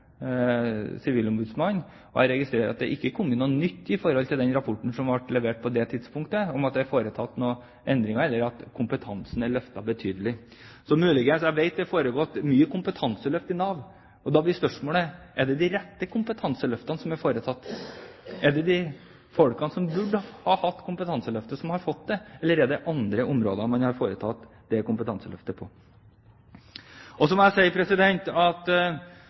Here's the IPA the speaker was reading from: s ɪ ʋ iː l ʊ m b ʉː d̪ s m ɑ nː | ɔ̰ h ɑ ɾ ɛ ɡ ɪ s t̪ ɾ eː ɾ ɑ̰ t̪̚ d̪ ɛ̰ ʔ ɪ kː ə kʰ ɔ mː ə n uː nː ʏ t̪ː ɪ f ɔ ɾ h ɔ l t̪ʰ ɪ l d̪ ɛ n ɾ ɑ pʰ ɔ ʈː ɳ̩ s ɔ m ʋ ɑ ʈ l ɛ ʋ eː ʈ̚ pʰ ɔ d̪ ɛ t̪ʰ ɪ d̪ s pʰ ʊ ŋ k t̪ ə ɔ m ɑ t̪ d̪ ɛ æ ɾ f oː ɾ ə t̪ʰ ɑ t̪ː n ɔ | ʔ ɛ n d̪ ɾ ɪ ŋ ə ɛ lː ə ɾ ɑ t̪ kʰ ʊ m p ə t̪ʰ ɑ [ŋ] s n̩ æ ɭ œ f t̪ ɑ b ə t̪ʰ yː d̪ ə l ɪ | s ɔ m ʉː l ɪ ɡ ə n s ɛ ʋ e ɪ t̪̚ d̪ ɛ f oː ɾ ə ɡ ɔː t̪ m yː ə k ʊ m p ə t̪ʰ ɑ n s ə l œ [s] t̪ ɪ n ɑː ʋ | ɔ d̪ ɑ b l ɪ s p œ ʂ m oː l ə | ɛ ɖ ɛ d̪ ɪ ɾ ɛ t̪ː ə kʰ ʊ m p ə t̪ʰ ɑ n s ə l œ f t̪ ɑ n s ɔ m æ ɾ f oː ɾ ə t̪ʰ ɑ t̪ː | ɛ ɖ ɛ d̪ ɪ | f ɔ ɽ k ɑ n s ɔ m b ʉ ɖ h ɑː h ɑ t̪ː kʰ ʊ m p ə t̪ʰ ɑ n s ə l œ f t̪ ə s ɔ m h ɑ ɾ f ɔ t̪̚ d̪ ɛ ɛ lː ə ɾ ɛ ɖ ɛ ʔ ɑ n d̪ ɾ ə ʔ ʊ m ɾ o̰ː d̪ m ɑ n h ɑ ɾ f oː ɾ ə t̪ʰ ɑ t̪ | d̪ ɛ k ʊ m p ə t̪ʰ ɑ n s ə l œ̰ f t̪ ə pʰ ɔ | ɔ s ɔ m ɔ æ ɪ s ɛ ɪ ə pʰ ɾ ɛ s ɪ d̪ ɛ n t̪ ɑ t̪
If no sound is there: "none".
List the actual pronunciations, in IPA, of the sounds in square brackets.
n, f

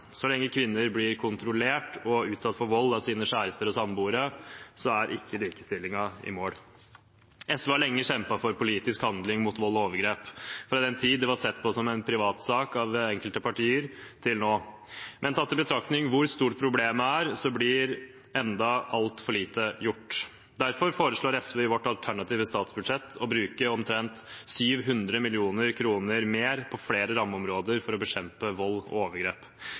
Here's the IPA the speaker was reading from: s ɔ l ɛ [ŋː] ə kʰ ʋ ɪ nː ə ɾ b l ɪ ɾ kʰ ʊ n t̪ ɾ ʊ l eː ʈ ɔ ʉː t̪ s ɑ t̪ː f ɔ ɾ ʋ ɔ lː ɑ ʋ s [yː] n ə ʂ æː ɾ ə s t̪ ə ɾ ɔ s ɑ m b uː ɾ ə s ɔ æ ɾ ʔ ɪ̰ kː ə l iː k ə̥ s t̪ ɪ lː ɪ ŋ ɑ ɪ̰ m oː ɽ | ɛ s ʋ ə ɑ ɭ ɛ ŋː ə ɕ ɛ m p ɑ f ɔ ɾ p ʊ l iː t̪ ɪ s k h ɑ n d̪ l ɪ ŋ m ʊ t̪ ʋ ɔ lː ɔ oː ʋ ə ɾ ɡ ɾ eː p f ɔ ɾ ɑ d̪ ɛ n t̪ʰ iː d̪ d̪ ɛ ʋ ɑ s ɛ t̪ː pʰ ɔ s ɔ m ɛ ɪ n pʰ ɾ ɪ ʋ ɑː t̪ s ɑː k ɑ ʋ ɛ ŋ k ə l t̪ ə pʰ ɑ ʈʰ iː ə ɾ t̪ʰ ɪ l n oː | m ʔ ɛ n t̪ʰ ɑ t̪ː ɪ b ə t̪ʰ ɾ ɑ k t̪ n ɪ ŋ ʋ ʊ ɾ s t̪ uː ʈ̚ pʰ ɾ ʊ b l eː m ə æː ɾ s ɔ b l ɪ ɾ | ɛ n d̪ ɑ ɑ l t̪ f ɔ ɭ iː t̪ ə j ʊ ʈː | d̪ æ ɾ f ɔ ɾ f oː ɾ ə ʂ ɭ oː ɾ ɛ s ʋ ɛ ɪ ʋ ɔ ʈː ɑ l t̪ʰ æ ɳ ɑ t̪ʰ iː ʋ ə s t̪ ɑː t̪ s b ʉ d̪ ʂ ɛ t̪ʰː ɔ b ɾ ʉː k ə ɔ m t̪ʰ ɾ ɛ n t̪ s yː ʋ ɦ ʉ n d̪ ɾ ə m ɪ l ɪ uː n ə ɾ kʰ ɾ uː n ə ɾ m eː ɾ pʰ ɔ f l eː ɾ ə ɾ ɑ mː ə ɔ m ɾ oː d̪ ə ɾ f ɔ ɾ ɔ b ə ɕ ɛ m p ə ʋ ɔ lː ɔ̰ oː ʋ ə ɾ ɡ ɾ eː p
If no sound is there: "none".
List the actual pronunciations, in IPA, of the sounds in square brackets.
ŋː, iː

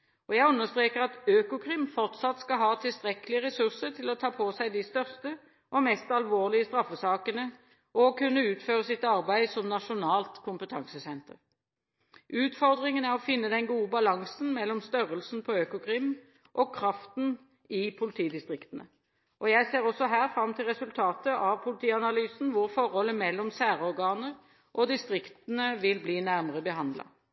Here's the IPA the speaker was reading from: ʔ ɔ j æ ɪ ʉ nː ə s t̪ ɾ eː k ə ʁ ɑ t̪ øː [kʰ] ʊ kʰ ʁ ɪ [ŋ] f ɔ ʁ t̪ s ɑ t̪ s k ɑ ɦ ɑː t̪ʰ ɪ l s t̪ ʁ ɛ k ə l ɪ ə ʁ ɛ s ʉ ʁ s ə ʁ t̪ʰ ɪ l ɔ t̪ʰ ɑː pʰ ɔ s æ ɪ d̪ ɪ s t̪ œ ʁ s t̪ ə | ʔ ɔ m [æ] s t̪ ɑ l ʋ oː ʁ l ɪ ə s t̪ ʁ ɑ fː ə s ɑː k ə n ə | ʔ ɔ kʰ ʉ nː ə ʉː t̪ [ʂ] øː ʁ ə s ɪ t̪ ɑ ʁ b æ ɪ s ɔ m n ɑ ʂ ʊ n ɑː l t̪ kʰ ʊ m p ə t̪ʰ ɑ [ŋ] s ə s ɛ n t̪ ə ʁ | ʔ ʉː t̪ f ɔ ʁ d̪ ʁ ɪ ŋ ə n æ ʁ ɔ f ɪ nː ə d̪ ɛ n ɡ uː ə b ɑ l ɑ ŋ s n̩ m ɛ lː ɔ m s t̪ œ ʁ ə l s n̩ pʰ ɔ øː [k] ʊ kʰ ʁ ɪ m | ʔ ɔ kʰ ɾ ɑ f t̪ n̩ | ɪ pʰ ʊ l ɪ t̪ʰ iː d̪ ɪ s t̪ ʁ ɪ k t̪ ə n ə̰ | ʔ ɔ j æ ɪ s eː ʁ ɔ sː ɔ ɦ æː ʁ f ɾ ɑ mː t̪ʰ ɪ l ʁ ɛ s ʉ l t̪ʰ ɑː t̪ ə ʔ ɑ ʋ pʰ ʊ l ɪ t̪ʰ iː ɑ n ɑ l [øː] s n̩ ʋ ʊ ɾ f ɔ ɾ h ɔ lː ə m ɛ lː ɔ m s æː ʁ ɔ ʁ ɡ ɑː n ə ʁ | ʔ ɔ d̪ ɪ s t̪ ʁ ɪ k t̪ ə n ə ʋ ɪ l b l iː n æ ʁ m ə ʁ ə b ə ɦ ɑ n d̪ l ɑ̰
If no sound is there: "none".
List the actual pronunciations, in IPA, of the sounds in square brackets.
k, m, ɛ, f, ŋ, k, yː

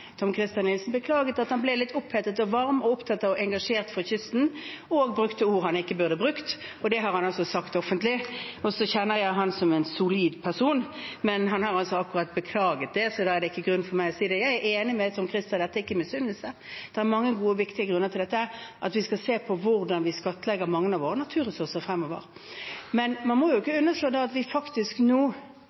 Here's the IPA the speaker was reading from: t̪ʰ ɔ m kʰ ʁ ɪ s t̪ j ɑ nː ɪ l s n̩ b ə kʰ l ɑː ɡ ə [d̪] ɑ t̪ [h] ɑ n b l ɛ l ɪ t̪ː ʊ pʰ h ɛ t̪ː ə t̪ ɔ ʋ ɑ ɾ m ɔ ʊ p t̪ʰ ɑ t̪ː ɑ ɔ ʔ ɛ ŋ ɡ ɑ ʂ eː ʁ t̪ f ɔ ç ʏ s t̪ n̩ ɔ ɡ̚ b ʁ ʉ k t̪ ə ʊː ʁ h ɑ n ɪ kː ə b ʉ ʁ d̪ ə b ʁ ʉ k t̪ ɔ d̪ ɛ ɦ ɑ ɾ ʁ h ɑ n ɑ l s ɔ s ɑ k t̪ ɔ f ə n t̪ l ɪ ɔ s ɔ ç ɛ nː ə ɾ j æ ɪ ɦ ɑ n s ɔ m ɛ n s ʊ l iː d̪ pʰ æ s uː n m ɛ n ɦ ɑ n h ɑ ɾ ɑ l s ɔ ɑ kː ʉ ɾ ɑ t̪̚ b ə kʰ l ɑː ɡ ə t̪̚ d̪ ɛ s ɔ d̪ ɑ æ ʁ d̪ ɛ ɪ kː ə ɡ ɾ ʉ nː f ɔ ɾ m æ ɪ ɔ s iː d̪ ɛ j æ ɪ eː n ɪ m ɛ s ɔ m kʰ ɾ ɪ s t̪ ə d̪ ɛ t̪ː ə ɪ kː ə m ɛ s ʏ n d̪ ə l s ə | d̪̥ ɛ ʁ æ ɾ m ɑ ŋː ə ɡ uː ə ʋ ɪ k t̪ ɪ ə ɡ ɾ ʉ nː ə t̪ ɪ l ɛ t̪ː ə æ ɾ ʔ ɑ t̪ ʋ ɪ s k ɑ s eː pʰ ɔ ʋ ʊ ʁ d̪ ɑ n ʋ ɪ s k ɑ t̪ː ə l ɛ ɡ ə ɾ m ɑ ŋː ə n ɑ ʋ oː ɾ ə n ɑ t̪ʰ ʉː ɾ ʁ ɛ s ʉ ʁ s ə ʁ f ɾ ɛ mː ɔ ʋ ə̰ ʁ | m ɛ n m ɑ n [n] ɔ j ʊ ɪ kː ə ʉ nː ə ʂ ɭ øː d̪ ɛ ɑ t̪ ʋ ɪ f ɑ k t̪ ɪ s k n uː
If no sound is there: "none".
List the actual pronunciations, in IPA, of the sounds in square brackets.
t̪, h, m

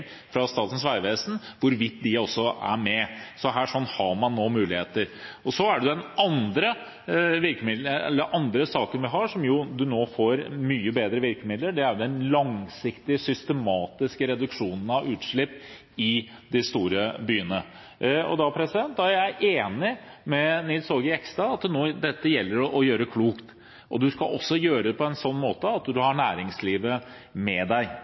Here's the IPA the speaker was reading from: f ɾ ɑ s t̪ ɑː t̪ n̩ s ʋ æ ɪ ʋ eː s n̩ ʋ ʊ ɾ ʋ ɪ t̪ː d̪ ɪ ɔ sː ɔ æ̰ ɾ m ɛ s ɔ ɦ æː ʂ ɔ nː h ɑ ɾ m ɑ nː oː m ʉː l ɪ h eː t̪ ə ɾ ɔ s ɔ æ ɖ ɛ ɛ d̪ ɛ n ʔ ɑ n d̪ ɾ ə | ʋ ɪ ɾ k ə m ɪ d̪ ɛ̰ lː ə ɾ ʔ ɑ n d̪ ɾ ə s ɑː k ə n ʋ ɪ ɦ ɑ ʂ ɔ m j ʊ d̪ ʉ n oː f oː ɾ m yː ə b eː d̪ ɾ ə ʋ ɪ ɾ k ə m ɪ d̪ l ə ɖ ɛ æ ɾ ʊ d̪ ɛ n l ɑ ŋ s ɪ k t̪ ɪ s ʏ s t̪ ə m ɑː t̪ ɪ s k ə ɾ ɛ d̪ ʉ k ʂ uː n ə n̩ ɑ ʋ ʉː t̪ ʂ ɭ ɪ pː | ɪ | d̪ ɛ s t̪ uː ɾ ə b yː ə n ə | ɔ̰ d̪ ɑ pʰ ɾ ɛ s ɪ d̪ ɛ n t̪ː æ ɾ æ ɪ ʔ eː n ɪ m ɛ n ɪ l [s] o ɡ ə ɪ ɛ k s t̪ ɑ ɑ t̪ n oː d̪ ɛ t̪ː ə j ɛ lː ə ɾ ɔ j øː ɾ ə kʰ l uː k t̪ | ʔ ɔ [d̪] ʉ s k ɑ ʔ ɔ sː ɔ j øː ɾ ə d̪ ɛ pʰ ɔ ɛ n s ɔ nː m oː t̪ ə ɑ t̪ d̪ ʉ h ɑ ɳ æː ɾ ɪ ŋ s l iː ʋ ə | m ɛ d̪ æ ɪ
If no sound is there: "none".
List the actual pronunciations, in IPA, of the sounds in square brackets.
s, d̪

